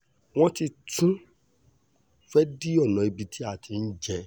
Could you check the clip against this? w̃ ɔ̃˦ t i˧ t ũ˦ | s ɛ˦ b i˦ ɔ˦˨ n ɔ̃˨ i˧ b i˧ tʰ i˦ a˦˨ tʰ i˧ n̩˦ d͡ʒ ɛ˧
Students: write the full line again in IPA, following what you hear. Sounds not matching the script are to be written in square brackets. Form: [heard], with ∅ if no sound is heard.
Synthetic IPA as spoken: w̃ ɔ̃˦ t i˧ t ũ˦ | [f] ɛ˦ [d] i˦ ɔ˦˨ n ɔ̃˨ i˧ b i˧ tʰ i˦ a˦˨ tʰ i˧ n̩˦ d͡ʒ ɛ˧